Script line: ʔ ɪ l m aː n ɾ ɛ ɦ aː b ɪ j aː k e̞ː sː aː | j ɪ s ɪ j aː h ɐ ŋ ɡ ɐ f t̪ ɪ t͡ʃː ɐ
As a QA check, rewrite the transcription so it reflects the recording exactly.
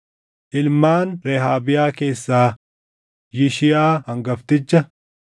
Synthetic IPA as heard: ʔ ɪ l m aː n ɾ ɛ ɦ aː b ɪ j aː k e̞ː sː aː | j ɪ ʃ ɪ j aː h ɐ ŋ ɡ ɐ f t̪ ɪ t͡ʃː ɐ